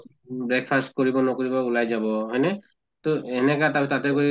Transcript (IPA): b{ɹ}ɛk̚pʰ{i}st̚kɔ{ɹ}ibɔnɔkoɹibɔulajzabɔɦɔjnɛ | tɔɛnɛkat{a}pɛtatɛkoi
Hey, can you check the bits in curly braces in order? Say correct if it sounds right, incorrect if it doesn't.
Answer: correct, incorrect: a, correct, correct

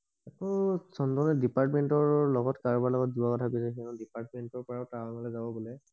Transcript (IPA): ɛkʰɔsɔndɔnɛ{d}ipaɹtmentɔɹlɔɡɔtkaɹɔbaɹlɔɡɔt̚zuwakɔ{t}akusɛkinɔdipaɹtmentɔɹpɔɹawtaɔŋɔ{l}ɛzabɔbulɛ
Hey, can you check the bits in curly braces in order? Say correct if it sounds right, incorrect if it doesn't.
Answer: correct, incorrect: tʰ, correct

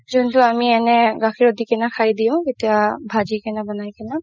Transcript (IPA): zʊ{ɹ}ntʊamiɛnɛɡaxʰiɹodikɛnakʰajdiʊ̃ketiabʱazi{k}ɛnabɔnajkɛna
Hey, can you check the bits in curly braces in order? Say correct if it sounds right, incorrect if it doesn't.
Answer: incorrect: none, correct

